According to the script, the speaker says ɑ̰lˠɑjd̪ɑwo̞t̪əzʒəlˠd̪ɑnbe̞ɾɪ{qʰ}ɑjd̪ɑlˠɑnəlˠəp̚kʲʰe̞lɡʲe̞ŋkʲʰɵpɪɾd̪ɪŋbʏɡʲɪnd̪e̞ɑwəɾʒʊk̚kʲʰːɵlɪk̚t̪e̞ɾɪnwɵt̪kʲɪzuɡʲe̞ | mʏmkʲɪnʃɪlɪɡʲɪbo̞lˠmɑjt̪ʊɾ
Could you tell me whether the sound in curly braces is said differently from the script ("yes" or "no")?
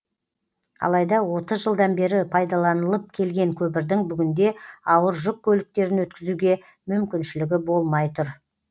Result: yes